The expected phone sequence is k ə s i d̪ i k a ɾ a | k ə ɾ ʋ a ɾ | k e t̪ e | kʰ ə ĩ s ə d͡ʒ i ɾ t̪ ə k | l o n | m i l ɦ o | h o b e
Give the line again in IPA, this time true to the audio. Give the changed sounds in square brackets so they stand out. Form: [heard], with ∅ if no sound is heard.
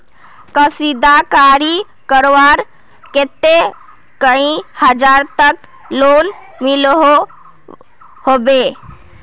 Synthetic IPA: k ə s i d̪ [a] k a ɾ [i] | k ə ɾ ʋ a ɾ | k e t̪ e | [k] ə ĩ [h] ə d͡ʒ [a] ɾ t̪ ə k | l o n | m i l ɦ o | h o b e